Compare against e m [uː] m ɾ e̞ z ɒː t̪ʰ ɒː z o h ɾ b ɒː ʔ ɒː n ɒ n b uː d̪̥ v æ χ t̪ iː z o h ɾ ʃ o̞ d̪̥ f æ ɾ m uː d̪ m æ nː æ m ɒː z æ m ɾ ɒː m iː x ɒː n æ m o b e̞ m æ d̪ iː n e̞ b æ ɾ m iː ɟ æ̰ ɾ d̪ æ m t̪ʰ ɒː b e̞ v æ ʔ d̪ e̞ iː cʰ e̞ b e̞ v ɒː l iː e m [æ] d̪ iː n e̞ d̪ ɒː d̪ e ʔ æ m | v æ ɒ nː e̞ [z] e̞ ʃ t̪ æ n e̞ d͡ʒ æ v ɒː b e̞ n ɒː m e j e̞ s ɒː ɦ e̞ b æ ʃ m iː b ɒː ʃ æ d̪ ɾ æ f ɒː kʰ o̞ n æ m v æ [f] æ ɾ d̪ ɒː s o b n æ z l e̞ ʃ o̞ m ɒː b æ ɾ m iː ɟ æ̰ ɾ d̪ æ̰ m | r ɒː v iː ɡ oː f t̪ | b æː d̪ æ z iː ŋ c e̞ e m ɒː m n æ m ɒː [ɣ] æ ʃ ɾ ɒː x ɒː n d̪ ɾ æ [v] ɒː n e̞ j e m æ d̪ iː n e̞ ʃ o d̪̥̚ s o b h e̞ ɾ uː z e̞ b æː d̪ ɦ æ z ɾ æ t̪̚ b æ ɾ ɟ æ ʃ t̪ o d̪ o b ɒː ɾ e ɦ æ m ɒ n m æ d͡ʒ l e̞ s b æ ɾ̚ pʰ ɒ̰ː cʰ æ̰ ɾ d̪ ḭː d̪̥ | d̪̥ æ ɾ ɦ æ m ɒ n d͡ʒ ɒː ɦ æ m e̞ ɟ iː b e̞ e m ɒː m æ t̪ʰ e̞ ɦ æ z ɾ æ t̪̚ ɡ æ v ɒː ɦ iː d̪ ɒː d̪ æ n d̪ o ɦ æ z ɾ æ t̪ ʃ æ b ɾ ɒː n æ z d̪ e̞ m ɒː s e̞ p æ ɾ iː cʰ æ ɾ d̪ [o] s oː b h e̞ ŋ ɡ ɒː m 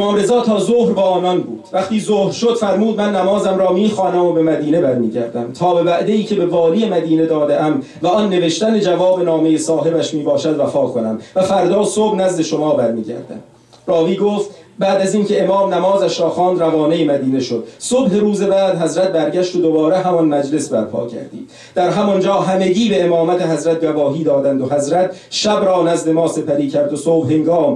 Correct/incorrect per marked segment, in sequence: incorrect: ɒː, correct, incorrect: v, correct, incorrect: z, correct, correct

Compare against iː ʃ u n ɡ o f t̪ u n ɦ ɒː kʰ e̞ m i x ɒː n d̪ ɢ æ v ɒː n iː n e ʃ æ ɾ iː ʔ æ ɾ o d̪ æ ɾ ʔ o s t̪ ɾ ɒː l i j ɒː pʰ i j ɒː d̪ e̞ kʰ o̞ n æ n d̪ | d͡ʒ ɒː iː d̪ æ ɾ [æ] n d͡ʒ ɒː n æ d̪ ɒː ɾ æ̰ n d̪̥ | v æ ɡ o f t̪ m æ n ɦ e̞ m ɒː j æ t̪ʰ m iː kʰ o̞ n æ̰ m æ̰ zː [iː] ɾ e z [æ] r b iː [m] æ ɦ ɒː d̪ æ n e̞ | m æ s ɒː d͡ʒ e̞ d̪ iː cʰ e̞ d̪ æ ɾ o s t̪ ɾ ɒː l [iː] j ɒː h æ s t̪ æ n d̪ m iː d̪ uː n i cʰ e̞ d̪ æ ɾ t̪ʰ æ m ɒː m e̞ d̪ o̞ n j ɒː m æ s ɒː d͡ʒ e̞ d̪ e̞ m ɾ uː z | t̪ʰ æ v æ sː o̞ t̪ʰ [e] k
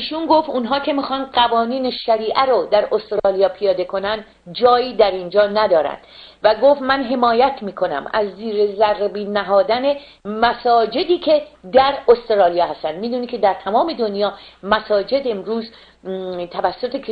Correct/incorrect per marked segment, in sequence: incorrect: i, correct, correct, incorrect: n, incorrect: i, correct

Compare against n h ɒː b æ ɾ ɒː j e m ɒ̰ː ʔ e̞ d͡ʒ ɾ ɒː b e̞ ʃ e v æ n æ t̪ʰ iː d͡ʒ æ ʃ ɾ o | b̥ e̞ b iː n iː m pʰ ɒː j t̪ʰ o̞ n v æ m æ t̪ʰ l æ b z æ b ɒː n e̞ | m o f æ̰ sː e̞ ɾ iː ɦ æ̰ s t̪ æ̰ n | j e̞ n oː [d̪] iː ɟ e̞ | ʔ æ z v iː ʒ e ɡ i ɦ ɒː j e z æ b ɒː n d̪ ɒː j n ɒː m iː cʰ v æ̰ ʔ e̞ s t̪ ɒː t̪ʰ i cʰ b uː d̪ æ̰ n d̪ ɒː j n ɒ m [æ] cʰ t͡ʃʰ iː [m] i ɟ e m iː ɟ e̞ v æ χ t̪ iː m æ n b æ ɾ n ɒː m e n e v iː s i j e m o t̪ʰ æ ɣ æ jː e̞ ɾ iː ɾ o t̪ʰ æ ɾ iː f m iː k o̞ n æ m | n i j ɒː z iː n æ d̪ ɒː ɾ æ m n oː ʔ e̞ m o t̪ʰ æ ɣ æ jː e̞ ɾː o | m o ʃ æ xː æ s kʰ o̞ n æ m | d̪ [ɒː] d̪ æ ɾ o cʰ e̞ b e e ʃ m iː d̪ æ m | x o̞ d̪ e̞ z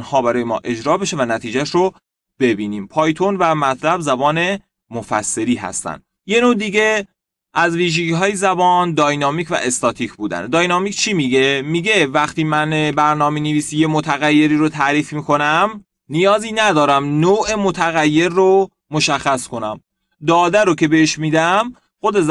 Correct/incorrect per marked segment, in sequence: correct, incorrect: i, correct, correct

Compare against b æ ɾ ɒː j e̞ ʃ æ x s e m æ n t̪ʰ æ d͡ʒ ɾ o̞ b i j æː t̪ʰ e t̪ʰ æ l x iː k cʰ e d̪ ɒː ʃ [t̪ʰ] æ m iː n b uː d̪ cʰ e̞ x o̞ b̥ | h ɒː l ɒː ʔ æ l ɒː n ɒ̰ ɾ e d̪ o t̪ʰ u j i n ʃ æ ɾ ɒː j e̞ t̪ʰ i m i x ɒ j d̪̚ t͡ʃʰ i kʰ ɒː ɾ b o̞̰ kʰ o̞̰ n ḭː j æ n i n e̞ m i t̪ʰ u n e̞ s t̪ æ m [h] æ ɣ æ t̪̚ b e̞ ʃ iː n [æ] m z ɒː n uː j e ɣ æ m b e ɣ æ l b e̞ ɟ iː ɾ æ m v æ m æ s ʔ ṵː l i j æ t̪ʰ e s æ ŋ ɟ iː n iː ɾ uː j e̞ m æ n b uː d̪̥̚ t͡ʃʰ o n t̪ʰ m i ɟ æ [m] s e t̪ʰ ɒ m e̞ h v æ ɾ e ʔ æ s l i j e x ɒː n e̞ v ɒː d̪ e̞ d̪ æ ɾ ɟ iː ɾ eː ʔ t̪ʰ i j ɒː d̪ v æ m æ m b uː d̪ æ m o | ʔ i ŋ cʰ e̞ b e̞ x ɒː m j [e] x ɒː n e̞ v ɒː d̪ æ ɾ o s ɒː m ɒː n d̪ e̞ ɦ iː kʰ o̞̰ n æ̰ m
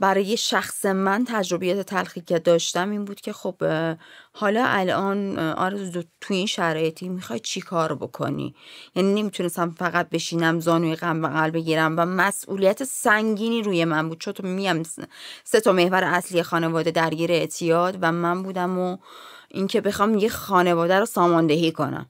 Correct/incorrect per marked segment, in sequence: incorrect: t̪, incorrect: f, correct, correct, correct

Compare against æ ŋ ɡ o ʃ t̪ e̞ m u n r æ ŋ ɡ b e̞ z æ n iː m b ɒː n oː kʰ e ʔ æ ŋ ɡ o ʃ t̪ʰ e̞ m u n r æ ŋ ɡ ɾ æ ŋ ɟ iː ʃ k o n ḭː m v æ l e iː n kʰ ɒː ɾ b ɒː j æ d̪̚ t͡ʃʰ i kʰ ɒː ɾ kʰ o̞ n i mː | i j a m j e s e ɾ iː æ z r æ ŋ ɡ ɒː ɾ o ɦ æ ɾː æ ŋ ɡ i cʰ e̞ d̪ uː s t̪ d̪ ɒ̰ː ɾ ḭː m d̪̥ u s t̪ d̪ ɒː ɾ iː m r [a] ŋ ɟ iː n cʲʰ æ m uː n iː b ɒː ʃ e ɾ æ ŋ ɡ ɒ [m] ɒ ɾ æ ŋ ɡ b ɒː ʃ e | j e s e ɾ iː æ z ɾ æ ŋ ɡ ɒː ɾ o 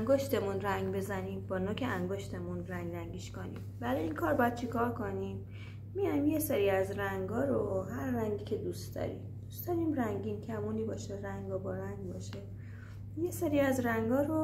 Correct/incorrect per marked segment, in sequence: incorrect: æ, incorrect: b

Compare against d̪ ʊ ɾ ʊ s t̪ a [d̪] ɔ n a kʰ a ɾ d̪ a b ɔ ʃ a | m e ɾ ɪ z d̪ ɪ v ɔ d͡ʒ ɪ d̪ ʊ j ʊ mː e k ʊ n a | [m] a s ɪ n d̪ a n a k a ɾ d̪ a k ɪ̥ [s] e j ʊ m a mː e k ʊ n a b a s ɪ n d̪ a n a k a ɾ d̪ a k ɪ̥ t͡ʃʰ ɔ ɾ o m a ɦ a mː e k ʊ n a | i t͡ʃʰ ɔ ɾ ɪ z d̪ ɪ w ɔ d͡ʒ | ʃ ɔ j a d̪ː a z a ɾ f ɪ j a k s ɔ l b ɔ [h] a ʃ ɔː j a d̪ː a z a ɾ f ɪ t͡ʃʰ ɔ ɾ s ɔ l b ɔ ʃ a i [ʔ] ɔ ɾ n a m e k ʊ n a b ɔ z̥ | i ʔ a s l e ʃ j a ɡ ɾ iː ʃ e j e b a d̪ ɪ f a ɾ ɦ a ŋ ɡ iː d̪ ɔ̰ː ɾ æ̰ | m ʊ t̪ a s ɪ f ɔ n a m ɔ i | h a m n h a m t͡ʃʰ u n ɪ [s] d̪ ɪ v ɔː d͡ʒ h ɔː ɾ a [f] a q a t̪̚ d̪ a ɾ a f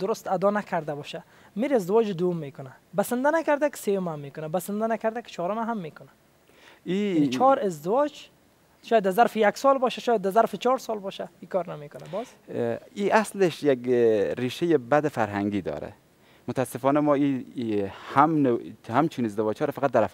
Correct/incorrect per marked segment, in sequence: correct, incorrect: b, correct, incorrect: ʃ, incorrect: k, incorrect: z, correct

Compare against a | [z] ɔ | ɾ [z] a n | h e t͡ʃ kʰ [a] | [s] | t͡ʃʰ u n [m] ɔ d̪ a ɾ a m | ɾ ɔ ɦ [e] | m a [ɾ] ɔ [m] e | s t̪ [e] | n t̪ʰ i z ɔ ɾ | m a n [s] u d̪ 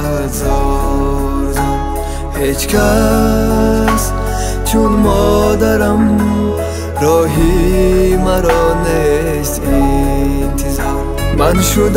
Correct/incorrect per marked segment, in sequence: correct, correct, correct, correct, correct, incorrect: i, correct, incorrect: n, incorrect: i, incorrect: ʃ

